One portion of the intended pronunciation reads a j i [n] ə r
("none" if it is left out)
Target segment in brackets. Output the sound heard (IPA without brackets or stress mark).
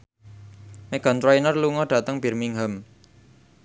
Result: n